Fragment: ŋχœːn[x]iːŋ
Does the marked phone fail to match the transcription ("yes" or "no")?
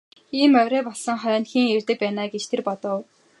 no